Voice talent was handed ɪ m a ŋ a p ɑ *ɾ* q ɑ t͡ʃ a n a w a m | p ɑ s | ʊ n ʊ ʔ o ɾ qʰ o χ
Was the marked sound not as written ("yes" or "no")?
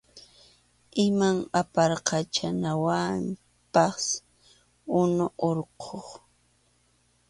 no